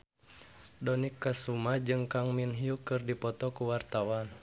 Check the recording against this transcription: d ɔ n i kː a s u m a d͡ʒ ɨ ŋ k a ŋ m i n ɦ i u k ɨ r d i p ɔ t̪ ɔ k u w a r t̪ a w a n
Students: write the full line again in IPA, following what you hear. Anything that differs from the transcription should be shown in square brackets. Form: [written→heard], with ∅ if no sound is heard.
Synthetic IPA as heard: d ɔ n i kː a s u m a d͡ʒ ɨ ŋ k a ŋ m i n ɦ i u k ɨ r d i p ɔ t̪ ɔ k u w a r t̪ a w a n